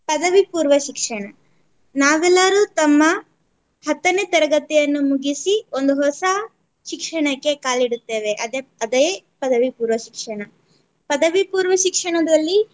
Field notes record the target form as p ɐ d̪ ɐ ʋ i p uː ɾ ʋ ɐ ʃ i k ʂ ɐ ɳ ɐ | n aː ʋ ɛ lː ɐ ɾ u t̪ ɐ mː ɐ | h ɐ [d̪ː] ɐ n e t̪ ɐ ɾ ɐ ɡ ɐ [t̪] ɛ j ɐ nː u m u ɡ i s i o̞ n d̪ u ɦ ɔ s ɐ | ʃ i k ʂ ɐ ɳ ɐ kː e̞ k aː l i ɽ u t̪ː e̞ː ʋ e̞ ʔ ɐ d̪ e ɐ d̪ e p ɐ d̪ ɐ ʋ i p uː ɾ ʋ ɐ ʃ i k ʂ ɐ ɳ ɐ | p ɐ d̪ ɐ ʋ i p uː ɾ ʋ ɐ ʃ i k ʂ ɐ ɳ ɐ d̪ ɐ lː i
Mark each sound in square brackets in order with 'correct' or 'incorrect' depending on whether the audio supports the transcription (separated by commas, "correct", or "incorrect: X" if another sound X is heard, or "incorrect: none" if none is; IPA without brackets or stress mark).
incorrect: t̪ː, correct